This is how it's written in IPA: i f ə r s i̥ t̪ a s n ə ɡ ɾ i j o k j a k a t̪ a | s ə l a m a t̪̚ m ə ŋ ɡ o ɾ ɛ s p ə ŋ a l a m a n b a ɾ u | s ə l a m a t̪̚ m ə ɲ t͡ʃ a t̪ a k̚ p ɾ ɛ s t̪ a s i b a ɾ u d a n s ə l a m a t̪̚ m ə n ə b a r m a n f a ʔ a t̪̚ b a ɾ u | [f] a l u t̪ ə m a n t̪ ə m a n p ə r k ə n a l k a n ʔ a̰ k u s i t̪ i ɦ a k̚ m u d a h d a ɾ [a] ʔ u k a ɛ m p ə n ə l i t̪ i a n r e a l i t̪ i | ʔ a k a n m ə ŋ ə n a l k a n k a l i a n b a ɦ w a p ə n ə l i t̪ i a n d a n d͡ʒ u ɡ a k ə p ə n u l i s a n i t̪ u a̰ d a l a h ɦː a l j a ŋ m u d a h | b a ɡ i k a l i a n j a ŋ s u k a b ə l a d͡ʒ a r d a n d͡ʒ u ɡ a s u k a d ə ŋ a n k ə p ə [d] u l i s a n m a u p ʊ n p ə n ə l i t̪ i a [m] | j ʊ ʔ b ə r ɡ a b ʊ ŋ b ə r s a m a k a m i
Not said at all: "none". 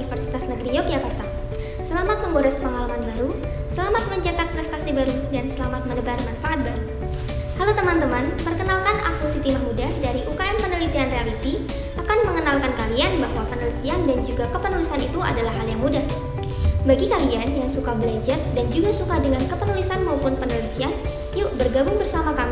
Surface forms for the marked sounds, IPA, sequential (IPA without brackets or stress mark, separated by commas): h, i, n, n